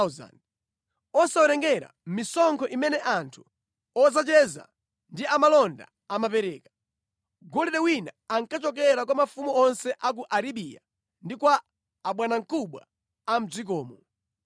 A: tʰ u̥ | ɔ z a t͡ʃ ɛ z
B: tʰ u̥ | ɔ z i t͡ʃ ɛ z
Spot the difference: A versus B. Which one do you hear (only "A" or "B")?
A